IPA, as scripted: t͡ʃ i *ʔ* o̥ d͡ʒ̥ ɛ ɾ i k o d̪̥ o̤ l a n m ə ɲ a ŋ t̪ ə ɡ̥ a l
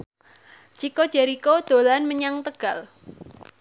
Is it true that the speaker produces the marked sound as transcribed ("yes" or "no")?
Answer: no